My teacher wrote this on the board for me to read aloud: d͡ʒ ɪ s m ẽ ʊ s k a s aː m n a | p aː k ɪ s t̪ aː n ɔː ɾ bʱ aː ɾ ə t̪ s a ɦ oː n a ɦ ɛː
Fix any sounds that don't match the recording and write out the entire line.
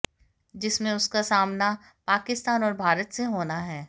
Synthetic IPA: d͡ʒ ɪ s m ẽ ʊ s k a s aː m n a | p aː k ɪ s t̪ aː n ɔː ɾ bʱ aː ɾ ə t̪ s e ɦ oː n a ɦ ɛː